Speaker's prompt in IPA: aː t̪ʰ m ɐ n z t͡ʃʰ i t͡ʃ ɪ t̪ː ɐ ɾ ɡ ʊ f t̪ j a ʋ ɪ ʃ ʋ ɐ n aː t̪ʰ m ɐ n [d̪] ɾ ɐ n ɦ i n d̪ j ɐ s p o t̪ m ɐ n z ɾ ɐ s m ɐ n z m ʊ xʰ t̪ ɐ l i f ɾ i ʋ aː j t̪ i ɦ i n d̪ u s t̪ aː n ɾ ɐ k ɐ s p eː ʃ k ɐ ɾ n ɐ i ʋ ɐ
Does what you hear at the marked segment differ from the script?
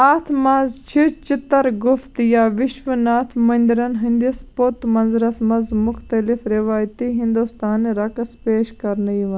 no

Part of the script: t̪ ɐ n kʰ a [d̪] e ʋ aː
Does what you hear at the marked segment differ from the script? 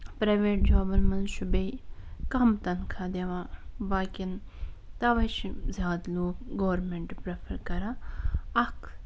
no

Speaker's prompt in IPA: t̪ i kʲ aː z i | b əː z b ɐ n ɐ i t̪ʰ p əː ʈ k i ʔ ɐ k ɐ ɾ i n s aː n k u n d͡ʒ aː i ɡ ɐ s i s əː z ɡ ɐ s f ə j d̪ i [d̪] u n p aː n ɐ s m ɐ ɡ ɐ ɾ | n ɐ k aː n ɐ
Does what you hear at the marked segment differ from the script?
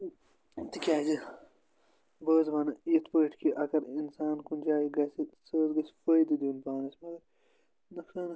no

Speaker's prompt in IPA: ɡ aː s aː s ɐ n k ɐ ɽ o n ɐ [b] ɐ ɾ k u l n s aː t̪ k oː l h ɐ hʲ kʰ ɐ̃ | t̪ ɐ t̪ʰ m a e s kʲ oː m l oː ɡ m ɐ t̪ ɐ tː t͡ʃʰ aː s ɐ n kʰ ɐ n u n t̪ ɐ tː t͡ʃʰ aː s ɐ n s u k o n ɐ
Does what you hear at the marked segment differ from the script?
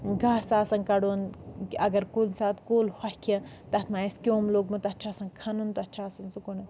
yes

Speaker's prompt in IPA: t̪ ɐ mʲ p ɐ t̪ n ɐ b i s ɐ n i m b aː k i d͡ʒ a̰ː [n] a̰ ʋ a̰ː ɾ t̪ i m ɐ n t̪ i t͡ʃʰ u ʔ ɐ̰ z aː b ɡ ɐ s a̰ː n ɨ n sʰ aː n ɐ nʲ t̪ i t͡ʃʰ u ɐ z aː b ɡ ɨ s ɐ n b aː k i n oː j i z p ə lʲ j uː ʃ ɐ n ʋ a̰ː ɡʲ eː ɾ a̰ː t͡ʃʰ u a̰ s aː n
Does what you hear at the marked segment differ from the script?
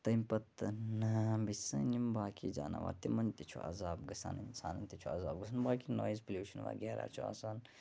no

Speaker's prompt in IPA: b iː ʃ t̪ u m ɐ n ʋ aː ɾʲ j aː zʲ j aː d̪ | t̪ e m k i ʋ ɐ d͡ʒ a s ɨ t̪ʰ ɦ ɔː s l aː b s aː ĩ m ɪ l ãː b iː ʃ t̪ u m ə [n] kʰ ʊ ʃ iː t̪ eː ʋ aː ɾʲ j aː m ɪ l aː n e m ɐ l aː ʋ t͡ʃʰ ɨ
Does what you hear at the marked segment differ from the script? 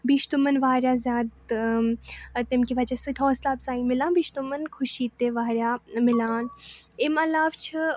no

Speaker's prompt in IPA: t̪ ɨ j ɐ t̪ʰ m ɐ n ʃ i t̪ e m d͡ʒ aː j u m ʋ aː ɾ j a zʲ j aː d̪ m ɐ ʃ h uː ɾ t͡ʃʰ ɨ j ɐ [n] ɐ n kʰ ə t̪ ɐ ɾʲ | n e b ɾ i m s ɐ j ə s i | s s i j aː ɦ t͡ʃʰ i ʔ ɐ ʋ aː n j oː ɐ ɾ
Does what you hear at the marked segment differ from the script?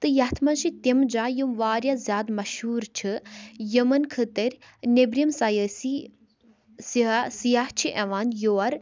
yes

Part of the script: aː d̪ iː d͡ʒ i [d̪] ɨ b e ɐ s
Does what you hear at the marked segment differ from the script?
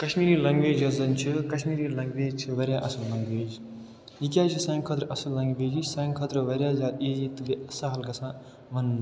yes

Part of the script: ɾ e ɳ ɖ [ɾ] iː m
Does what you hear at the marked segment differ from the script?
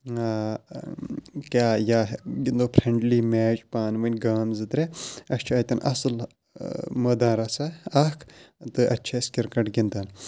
yes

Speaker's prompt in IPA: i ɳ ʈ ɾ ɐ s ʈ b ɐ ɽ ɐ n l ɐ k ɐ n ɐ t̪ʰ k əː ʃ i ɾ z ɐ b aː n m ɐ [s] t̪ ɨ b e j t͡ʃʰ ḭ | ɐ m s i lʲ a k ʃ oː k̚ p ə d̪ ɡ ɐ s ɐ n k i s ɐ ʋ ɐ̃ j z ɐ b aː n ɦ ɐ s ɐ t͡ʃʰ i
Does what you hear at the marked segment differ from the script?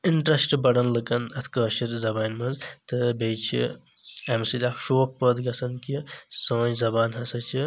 yes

